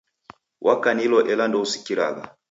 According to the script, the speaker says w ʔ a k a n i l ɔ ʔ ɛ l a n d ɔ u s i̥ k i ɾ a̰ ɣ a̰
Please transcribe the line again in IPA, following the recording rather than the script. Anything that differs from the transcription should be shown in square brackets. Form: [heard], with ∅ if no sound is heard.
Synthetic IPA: w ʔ a k a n i l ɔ ʔ ɛ l a n d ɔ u s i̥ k i ɾ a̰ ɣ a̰